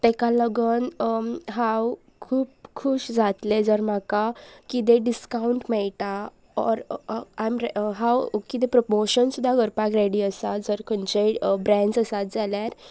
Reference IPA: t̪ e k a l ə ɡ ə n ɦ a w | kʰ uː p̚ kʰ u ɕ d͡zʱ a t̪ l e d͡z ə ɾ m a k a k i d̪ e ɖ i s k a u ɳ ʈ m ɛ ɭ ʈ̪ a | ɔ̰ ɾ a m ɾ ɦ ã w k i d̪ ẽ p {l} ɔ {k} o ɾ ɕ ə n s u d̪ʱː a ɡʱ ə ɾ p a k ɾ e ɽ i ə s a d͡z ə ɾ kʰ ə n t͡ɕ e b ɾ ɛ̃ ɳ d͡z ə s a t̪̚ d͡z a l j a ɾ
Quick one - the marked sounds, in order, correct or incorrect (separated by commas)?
incorrect, incorrect